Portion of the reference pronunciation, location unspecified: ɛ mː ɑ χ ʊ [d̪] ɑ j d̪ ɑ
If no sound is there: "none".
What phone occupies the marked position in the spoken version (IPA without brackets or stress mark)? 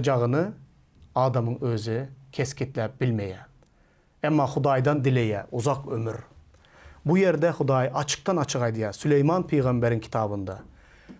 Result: d̪